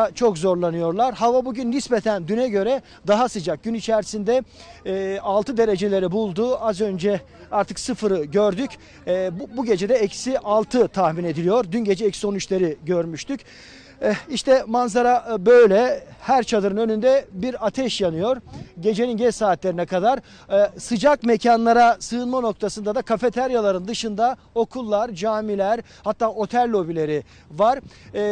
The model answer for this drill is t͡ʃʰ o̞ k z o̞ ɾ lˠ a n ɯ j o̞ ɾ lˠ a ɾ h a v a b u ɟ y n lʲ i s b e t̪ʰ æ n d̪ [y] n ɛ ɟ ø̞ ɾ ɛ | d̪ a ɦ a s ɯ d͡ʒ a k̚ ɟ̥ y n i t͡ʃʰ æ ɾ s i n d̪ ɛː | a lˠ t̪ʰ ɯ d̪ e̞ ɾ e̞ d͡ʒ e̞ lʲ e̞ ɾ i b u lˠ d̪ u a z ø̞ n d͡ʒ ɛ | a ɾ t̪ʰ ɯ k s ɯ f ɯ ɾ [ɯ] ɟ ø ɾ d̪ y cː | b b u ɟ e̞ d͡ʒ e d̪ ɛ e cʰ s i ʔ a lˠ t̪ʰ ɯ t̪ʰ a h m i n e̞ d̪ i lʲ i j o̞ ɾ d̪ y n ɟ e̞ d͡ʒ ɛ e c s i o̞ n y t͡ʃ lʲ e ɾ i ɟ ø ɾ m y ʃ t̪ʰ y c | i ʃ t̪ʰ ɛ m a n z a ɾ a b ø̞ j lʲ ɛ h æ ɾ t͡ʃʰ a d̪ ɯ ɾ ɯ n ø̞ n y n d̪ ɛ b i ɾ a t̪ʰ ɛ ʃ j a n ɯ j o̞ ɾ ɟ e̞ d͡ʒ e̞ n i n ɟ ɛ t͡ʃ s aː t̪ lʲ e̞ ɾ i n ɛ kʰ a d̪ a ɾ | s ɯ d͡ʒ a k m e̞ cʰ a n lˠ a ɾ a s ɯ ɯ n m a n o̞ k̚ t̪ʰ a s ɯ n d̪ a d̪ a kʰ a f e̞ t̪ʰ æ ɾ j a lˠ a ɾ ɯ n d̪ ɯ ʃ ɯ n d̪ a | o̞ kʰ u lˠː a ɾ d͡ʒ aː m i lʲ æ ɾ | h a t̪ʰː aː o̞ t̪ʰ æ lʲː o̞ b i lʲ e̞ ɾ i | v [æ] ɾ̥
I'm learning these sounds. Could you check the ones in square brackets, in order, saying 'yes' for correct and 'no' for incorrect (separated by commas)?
yes, yes, no